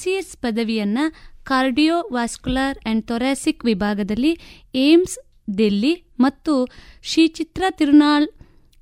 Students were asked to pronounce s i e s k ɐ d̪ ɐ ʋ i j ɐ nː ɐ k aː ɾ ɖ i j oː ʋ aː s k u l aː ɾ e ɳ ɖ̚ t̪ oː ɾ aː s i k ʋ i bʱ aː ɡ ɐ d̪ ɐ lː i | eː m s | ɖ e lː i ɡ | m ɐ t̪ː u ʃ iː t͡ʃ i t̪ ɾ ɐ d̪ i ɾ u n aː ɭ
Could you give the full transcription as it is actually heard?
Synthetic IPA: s i e s p ɐ d̪ ɐ ʋ i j ɐ nː ɐ k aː ɾ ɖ i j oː ʋ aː s k u l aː ɾ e ɳ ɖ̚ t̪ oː ɾ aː s i k ʋ i bʱ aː ɡ ɐ d̪ ɐ lː i | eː m s | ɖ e lː i | m ɐ t̪ː u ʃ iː t͡ʃ i t̪ ɾ ɐ t̪ i ɾ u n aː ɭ